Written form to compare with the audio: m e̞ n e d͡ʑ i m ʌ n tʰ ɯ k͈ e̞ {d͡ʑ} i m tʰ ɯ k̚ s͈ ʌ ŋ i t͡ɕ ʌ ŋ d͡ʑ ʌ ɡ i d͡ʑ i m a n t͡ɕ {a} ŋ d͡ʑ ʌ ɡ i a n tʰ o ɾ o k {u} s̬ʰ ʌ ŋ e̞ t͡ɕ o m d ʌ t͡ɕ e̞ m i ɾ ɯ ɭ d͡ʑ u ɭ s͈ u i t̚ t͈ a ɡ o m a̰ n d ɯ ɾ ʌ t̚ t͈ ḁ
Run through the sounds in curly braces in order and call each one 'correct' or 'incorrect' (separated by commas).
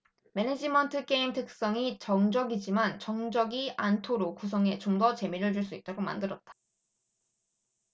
incorrect, incorrect, correct